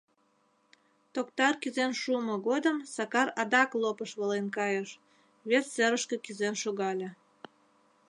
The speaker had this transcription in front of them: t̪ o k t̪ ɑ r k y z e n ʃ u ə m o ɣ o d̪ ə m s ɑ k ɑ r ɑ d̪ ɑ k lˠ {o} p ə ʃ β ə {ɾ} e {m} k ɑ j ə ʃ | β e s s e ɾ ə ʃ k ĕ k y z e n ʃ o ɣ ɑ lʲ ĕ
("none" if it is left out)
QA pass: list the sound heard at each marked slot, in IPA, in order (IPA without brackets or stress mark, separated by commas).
o, l, n